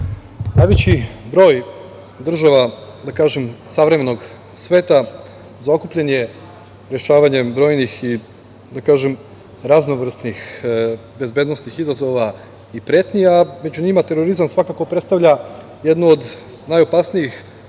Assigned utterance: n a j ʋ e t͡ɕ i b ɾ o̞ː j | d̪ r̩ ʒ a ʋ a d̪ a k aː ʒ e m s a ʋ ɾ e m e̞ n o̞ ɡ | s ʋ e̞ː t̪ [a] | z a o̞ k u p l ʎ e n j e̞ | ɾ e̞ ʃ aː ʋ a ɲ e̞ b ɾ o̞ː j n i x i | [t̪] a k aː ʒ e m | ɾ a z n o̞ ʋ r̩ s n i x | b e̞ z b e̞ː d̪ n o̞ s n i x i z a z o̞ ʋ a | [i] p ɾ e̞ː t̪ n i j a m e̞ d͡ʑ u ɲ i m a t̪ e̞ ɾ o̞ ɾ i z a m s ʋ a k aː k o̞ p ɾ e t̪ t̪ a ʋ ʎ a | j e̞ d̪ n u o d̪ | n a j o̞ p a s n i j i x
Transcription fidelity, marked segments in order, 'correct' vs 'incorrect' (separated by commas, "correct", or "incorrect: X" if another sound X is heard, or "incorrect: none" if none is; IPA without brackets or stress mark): correct, incorrect: d̪, correct